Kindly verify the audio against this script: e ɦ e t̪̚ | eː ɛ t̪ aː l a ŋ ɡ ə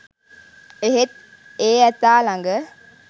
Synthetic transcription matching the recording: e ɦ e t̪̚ | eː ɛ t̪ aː l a ŋ ɡ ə

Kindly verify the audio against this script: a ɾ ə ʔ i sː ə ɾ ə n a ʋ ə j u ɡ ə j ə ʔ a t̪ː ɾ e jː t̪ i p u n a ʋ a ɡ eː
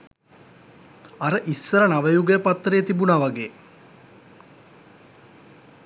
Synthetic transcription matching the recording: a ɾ ə ʔ i sː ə ɾ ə n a ʋ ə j u ɡ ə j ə p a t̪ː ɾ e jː t̪ i b u n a ʋ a ɡ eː

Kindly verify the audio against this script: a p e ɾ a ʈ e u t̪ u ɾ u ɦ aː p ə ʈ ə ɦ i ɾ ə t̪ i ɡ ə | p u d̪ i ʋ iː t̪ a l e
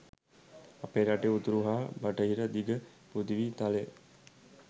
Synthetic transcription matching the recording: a p e ɾ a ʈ e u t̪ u ɾ u ɦ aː b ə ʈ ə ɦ i ɾ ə d̪ i ɡ ə | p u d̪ i ʋ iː t̪ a l e

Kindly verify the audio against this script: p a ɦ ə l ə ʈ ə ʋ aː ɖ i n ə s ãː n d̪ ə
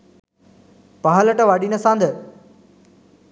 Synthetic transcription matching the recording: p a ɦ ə l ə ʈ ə ʋ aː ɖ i n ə s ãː n d̪ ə

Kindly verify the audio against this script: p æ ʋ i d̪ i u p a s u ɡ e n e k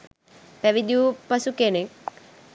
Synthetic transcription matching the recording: p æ ʋ i d̪ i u p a s u k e n e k

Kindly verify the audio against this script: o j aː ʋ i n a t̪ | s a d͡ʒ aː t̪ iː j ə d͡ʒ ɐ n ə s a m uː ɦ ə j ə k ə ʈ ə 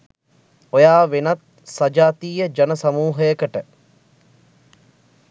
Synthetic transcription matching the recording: o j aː ʋ e n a t̪ | s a d͡ʒ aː t̪ iː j ə d͡ʒ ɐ n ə s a m uː ɦ ə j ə k ə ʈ ə

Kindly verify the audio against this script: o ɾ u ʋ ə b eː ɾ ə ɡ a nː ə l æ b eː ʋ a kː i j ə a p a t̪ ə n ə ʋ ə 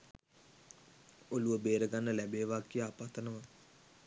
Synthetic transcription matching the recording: o l u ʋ ə b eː ɾ ə ɡ a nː ə l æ b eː ʋ a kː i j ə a p a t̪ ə n ə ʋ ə

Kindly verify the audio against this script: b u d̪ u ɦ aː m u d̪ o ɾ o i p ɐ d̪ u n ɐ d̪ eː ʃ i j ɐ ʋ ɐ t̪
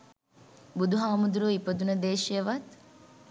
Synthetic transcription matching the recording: b u d̪ u ɦ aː m u d̪ u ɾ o i p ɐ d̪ u n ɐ d̪ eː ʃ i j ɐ ʋ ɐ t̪

